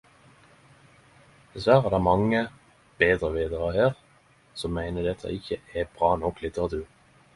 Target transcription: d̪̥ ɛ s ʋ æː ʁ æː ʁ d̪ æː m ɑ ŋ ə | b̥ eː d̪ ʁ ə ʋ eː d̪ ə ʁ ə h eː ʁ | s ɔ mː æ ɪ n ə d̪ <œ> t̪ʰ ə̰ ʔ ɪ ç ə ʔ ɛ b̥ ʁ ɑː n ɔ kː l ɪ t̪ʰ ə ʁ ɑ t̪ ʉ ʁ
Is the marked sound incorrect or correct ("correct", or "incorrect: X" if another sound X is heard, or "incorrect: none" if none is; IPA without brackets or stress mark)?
incorrect: ɛ